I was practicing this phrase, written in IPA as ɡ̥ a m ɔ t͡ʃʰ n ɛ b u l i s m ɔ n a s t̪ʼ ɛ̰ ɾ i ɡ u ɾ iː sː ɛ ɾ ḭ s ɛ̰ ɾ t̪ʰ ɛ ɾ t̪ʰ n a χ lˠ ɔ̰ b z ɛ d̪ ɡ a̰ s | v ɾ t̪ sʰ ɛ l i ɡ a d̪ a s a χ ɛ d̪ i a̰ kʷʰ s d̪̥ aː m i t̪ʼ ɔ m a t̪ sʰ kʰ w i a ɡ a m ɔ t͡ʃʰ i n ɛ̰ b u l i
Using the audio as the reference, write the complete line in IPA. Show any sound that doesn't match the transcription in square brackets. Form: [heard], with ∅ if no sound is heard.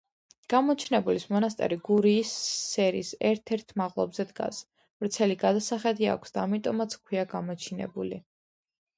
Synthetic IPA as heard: ɡ̥ a m ɔ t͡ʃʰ n ɛ b u l i s m ɔ n a s t̪ʼ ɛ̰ ɾ i ɡ u ɾ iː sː ɛ ɾ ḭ s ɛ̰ ɾ t̪ʰ ɛ ɾ t̪ʰ [m] a [ʁ] lˠ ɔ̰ b z ɛ d̪ ɡ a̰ s | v ɾ t̪ sʰ ɛ l i ɡ a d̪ a s a χ ɛ d̪ i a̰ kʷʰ s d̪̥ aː m i t̪ʼ ɔ m a t̪ sʰ kʰ w i a ɡ a m ɔ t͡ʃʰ i n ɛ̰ b u l i